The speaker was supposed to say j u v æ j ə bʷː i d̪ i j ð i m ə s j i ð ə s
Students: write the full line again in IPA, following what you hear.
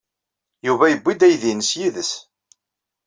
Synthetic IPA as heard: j u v æ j ə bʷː i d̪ æ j ð i n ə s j i ð ə s